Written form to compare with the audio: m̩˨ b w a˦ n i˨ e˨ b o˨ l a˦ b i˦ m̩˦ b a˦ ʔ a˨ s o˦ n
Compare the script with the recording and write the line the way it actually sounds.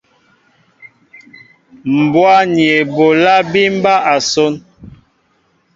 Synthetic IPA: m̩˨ b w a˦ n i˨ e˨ b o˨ l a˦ b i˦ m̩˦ b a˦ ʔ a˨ s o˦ n